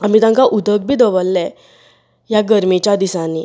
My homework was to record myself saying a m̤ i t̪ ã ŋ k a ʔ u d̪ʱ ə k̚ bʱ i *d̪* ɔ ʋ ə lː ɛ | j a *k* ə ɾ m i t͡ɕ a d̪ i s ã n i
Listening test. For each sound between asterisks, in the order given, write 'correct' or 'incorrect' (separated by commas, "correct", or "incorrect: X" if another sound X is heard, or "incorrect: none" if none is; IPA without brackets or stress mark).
correct, incorrect: ɡ